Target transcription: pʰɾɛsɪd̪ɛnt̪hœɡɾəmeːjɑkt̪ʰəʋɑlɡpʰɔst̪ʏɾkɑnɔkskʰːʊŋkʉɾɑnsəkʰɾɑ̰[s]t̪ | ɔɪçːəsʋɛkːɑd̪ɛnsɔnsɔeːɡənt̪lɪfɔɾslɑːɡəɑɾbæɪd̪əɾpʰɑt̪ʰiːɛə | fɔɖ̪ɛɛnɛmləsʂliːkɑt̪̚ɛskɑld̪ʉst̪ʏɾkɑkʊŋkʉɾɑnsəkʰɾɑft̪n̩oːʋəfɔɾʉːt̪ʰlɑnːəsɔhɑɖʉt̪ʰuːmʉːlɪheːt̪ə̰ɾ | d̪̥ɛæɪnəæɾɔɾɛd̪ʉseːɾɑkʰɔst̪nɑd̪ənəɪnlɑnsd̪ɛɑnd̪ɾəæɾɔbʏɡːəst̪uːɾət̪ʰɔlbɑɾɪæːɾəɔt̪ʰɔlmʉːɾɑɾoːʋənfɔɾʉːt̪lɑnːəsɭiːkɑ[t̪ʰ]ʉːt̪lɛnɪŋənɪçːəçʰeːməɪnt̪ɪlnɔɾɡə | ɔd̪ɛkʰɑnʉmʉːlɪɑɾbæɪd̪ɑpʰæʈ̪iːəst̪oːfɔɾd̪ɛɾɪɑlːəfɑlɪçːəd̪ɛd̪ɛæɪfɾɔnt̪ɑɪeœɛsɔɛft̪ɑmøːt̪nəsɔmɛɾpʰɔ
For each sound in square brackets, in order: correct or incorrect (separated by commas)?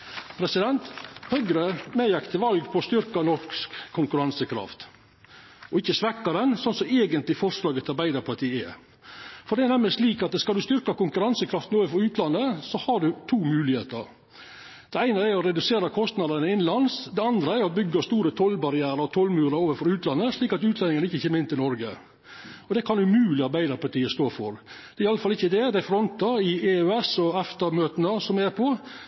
incorrect, incorrect